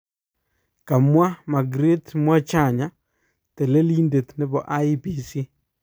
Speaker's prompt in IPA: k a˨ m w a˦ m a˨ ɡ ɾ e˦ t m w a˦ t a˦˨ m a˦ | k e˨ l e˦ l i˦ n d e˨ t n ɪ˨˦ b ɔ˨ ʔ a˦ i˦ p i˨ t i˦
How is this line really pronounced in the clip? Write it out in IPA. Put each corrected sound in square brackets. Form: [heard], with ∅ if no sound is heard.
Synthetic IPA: k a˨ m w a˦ m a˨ ɡ ɾ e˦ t m w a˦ [t͡ʃ] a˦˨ [ɲ] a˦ | [t] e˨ l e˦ l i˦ n d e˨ t n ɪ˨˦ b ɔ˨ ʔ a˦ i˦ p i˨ [s] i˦